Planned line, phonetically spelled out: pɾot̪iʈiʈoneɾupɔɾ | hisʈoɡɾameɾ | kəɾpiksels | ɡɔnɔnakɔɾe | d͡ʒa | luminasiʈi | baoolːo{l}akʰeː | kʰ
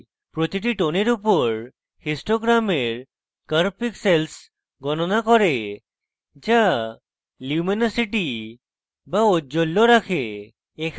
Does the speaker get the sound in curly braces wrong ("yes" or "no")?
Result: yes